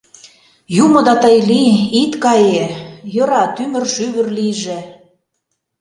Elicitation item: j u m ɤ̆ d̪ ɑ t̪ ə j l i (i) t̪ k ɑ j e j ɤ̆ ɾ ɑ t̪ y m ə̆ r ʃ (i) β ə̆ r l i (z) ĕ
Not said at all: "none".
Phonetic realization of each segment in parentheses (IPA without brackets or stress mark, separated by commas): i, y, ʒ